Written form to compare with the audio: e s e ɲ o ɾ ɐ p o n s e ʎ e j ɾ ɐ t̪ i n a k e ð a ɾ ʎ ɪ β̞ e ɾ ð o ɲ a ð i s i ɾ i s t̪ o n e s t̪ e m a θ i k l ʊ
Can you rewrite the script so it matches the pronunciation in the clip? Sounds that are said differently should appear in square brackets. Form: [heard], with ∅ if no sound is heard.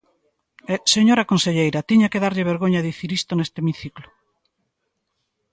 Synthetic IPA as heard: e s e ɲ o ɾ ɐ [k] o n s e ʎ e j ɾ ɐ t̪ i [ɲ] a k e ð a ɾ ʎ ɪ β̞ e ɾ [ɣ] o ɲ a ð i [θ] i ɾ i s t̪ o n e s t̪ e m [i] θ i k l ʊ